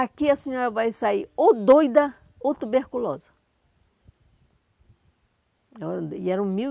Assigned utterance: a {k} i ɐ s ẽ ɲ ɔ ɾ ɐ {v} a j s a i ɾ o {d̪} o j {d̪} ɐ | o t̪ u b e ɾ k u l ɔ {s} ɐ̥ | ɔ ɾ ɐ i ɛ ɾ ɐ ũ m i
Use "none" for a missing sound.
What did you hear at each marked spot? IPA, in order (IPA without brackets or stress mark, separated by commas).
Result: k, v, d̪, d̪, z